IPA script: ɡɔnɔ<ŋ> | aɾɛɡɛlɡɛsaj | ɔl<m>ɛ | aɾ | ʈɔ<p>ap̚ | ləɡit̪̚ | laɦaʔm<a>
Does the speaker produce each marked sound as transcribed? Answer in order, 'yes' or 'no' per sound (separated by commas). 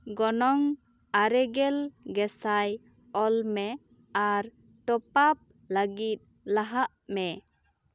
yes, yes, yes, no